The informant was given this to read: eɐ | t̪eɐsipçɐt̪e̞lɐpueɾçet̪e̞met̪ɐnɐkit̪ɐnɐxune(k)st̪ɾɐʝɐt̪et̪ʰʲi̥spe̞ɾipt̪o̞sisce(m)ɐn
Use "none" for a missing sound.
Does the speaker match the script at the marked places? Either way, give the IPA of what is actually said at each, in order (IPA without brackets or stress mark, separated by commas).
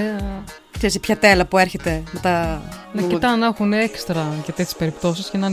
k, n